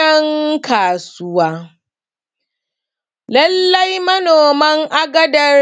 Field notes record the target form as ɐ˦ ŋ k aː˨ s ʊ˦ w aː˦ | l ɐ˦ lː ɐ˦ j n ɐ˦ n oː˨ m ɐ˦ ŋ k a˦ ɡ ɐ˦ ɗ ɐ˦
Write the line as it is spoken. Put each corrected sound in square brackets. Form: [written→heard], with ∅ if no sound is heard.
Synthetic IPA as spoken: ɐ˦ ŋ k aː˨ s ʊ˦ w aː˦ | l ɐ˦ lː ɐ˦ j [n→m] ɐ˦ n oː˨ m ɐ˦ ŋ [k→ʔ] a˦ ɡ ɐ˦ [ɗ→d] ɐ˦